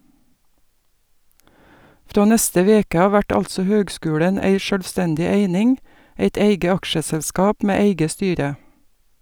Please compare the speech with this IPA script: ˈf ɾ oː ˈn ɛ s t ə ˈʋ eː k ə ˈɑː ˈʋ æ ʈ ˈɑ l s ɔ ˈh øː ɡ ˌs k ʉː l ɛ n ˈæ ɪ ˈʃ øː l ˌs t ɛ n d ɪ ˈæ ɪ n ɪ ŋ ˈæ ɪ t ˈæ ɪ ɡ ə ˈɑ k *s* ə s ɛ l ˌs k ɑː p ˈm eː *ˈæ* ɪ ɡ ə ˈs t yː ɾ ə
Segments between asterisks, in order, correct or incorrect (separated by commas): incorrect, correct